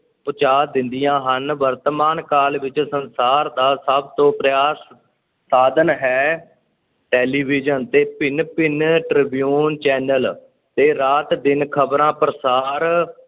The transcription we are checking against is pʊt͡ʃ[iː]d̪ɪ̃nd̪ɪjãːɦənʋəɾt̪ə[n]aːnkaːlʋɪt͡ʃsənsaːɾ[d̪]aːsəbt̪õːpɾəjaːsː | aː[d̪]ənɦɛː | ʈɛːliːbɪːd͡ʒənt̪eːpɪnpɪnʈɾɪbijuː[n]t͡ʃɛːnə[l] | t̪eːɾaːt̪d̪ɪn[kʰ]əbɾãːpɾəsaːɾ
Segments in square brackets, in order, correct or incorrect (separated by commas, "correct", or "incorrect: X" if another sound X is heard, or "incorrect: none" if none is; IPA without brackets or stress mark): incorrect: aː, incorrect: m, correct, correct, correct, correct, correct